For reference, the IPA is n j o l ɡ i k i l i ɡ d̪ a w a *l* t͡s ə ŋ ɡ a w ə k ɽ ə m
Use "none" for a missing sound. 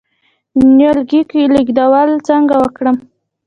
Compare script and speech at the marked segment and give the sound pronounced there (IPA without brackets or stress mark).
l